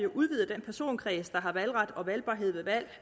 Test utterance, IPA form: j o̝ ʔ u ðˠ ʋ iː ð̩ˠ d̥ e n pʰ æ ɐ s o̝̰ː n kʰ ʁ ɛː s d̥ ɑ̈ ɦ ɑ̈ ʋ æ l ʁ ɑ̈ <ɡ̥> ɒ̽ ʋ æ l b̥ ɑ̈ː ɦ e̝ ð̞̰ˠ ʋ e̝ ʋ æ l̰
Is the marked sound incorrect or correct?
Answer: incorrect